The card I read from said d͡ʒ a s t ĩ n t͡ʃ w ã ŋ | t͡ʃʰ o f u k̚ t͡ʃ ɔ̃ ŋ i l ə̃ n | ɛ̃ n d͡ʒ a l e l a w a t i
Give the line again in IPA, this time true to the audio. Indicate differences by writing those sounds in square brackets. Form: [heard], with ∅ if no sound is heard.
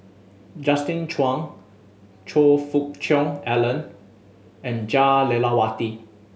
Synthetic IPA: d͡ʒ a s t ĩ n t͡ʃ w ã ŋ | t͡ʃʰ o f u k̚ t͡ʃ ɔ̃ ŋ [ɛ] l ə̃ n | ɛ̃ n d͡ʒ a l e l a w a t i